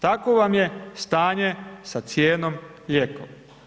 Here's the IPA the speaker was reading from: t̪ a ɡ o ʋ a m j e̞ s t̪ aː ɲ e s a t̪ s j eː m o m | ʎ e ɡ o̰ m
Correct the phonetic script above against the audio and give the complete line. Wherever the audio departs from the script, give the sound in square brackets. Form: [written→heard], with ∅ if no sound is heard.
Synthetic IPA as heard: t̪ a [ɡ→k] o ʋ a m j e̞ s t̪ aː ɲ e s a t̪ s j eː [m→n] o m | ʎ e [ɡ→k] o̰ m